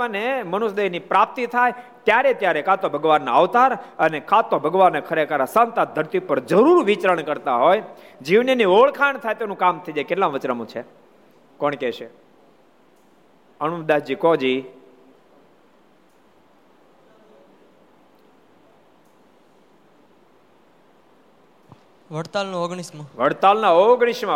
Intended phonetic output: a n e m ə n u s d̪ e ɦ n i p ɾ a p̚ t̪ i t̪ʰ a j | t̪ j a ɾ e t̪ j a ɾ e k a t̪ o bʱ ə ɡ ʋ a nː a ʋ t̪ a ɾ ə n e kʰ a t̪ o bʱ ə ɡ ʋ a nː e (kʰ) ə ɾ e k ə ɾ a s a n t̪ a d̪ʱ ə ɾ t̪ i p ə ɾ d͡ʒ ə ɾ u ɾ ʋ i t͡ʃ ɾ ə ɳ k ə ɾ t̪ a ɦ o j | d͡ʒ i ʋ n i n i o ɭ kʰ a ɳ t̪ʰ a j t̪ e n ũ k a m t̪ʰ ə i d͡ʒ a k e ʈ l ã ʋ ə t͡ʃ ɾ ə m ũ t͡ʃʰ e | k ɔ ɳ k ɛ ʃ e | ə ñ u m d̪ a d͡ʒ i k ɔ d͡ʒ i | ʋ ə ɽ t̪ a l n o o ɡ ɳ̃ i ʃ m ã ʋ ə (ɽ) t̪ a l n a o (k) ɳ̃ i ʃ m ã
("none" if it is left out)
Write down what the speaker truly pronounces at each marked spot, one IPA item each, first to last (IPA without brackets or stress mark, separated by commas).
kʰ, ɽ, ɡ